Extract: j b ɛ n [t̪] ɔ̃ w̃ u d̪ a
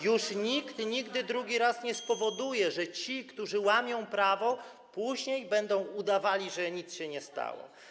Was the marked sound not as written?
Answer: yes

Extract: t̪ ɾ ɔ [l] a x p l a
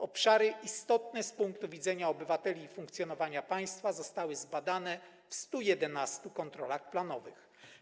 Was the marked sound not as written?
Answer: no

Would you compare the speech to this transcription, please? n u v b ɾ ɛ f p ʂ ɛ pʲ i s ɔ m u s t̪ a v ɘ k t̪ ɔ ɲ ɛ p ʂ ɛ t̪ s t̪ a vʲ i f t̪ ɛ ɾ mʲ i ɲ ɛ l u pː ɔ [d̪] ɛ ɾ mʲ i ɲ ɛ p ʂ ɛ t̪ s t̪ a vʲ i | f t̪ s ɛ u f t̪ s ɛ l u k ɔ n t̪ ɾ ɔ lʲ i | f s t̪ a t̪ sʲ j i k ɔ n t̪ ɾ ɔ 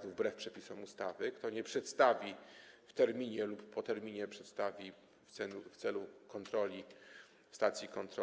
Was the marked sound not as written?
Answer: yes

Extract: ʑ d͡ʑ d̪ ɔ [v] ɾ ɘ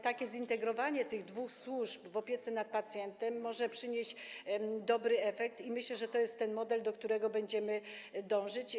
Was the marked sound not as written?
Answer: yes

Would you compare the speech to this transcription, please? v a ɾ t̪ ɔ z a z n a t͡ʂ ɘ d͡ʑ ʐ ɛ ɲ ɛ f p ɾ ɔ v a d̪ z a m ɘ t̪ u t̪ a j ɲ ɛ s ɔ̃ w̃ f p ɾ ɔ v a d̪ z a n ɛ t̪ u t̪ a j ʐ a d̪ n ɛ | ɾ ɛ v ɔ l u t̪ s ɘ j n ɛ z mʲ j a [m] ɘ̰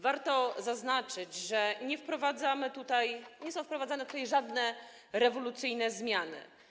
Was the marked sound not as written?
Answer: yes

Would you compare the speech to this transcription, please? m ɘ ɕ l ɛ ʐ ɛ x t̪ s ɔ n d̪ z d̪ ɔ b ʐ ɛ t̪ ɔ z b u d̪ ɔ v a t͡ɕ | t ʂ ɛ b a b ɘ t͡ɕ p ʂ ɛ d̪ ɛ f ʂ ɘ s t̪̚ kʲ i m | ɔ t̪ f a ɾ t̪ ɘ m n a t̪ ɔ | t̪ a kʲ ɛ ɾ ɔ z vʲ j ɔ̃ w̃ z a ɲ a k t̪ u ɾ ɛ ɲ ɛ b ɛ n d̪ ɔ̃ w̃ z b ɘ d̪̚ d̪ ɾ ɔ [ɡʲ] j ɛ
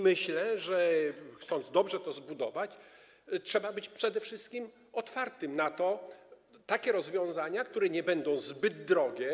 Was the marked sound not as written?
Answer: no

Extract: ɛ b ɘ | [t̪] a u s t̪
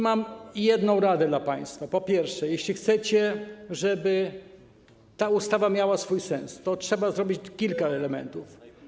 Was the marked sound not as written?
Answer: no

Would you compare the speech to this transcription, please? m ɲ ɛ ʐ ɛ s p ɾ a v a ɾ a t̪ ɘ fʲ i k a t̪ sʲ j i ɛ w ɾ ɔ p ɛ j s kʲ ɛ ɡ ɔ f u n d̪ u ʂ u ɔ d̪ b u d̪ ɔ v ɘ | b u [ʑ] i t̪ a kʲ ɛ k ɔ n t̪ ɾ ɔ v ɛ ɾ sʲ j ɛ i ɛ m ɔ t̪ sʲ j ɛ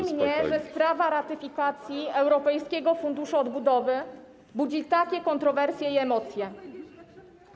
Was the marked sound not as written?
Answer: yes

